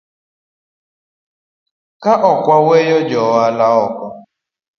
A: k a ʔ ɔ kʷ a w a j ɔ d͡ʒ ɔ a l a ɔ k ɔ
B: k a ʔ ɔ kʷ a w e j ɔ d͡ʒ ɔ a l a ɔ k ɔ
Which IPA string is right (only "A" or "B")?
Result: B